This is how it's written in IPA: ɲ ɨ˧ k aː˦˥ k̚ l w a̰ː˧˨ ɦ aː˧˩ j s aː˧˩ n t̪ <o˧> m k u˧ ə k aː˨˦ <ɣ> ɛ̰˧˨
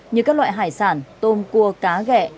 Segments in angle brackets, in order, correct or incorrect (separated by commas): correct, correct